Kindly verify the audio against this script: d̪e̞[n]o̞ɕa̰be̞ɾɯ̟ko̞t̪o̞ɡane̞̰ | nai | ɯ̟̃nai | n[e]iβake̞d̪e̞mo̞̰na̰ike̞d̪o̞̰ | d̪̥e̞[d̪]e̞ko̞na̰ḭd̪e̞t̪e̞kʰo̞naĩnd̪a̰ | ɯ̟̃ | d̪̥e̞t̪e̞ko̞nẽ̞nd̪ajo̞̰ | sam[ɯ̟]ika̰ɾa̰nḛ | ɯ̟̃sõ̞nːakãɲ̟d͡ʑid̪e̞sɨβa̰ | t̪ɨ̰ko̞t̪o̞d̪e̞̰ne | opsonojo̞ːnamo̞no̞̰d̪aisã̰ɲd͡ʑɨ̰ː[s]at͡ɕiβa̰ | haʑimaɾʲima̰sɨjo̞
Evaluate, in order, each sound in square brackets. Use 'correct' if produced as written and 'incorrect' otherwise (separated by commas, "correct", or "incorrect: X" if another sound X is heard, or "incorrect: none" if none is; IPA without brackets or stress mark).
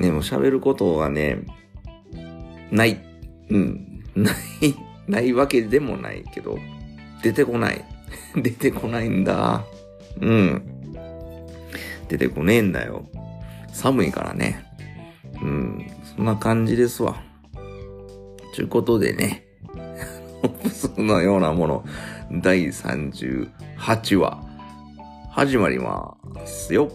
incorrect: m, incorrect: a, incorrect: t̪, correct, incorrect: h